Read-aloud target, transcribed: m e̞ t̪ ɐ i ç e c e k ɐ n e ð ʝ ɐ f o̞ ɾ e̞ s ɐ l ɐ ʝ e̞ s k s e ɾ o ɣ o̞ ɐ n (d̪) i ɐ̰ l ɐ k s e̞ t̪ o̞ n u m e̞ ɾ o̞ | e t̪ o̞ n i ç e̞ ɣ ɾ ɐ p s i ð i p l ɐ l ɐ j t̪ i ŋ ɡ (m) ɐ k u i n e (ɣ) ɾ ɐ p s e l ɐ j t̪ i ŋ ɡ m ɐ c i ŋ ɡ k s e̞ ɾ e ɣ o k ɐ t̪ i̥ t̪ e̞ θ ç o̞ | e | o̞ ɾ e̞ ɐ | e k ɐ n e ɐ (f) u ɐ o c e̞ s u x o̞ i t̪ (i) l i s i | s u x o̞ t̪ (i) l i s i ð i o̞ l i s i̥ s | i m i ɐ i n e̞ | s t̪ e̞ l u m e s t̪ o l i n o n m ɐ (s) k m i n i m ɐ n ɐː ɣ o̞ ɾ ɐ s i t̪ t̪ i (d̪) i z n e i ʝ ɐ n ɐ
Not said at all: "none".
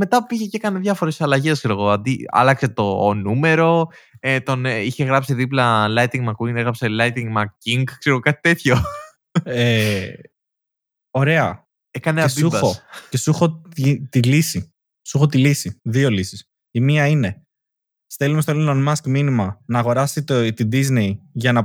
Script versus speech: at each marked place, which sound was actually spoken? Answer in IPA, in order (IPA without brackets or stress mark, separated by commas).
d̪, m, ɣ, s, i, i, s, d̪